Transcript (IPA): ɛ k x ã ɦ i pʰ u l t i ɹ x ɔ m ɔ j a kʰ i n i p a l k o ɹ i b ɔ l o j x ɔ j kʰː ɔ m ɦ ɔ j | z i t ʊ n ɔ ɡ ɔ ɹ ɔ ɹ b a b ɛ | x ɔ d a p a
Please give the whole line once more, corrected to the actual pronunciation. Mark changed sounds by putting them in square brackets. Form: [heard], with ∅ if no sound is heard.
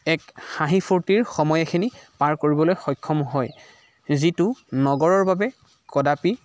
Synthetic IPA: ɛ k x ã ɦ i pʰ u [ɹ] t i ɹ x ɔ m ɔ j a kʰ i n i p a [ɹ] k o ɹ i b ɔ l o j x ɔ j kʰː ɔ m ɦ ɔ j | z i t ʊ n ɔ ɡ ɔ ɹ ɔ ɹ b a b ɛ | [k] ɔ d a p [i]